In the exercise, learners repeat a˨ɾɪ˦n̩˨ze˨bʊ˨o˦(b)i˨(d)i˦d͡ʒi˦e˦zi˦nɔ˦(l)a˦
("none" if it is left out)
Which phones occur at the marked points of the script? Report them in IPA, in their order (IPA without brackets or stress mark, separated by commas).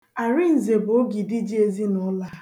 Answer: ɡ, d, l